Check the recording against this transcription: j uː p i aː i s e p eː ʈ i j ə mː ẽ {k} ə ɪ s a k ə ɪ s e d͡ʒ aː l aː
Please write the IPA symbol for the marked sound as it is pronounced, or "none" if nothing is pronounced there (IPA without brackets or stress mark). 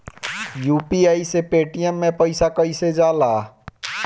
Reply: p